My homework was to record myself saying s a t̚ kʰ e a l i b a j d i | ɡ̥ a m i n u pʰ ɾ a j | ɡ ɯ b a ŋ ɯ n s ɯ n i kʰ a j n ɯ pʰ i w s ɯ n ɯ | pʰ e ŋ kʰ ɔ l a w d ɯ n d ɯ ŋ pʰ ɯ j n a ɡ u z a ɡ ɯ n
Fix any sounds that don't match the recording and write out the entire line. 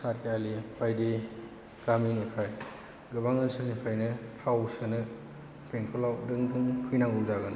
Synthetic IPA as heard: s a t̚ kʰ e a l i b a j d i | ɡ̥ a m i n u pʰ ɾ a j | ɡ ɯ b a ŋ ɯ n s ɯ n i pʰ a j n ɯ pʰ a w s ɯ n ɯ | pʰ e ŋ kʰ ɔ l a w d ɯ ŋ d ɯ ŋ pʰ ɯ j n a ŋ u z a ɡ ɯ n